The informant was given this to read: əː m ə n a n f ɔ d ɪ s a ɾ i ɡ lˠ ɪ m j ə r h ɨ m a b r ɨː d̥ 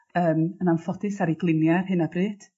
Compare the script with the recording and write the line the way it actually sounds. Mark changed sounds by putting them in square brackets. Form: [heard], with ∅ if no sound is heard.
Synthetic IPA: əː m ə n a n f ɔ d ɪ s a ɾ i ɡ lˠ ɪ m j [a] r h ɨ [n] a b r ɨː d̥